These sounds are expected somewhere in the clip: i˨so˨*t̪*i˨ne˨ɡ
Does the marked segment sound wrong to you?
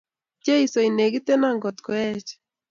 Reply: yes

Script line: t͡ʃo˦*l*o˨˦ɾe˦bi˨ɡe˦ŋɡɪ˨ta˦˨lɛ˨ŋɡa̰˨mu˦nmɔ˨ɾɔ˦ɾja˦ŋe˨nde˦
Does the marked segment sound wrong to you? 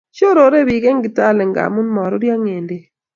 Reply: yes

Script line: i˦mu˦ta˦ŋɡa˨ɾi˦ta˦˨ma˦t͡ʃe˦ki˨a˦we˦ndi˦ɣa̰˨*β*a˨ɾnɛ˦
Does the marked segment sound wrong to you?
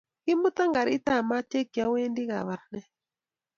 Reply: no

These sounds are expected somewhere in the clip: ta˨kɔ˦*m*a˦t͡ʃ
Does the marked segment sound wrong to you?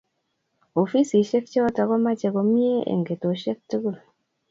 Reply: no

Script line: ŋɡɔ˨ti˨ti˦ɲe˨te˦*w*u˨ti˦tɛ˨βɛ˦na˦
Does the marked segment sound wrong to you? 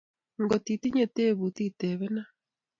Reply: yes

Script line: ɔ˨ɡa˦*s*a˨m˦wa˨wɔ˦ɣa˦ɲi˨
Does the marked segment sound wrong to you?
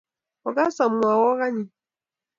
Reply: no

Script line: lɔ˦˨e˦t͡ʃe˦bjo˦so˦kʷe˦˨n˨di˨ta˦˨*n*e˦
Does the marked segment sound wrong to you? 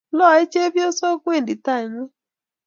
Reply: yes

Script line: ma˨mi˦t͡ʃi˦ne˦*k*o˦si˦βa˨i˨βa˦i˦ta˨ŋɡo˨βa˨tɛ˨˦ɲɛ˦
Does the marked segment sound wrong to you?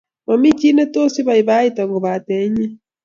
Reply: yes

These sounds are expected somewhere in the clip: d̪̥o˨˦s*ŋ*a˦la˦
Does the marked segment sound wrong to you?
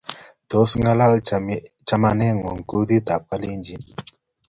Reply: no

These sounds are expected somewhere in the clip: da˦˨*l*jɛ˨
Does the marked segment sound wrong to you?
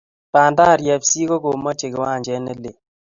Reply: yes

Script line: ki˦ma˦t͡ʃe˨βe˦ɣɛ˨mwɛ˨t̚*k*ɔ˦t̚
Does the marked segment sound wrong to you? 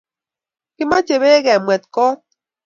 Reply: no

